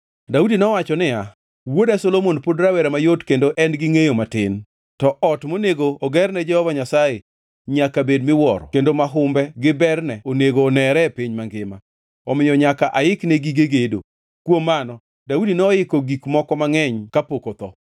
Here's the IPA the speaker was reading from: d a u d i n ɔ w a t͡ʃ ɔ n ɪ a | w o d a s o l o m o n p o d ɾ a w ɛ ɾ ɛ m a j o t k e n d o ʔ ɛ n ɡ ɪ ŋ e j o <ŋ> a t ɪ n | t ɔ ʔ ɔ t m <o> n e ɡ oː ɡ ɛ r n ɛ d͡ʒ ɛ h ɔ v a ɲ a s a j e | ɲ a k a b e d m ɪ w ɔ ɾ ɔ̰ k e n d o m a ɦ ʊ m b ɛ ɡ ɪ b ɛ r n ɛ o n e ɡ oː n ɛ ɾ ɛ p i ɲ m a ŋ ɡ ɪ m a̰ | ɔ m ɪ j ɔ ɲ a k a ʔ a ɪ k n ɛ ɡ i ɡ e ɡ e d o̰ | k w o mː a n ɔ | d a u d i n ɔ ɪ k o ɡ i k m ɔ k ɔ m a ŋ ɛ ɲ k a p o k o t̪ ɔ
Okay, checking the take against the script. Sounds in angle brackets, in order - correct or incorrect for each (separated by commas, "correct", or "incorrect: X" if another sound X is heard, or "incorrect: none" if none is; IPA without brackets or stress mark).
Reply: incorrect: m, correct